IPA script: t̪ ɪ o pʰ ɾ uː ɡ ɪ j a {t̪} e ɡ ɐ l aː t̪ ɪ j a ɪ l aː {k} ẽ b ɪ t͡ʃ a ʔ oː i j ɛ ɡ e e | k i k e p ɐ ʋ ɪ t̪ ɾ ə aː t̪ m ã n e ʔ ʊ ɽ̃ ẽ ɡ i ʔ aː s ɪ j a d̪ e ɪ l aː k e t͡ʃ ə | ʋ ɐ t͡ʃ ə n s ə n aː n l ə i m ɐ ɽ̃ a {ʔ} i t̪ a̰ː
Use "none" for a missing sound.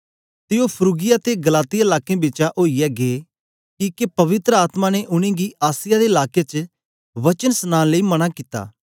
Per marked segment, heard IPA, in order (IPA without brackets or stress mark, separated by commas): t̪, k, k